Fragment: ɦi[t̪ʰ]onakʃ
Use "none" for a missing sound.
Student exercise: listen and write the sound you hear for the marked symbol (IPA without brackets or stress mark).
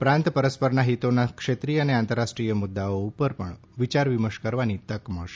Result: t̪